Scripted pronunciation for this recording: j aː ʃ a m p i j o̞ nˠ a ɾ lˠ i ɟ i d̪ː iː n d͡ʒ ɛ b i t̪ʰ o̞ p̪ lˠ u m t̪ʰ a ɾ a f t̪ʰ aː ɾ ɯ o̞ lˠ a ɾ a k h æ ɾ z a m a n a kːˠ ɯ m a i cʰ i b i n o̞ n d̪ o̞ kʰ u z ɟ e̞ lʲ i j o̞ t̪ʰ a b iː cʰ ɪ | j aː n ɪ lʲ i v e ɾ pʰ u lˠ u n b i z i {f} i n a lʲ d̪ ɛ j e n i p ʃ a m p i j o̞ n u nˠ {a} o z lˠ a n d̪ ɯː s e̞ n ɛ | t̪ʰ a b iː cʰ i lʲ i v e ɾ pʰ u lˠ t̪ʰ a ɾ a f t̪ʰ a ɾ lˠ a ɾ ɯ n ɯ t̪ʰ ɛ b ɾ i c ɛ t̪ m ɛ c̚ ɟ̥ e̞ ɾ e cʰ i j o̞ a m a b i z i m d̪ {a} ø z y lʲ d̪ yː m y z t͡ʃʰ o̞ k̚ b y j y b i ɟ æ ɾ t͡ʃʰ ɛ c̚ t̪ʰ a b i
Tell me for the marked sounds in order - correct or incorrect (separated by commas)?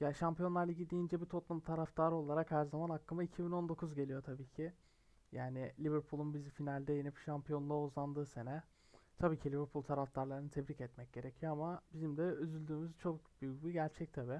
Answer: correct, correct, incorrect